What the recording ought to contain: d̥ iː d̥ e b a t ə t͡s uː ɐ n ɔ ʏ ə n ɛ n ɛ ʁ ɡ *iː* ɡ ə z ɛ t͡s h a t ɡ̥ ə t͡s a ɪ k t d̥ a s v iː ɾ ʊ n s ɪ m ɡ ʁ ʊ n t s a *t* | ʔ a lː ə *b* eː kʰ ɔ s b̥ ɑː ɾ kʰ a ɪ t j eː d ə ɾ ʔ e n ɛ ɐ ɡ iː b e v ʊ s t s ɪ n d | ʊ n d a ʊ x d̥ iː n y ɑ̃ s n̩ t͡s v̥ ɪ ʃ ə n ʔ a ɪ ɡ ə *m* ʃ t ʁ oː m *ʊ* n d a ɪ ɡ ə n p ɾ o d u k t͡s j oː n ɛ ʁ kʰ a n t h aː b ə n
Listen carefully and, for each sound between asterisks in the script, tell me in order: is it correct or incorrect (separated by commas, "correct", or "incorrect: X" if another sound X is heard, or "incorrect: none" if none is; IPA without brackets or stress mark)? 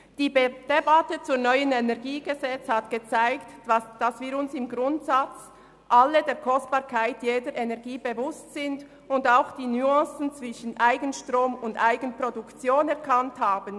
correct, incorrect: t͡s, incorrect: d, incorrect: n, correct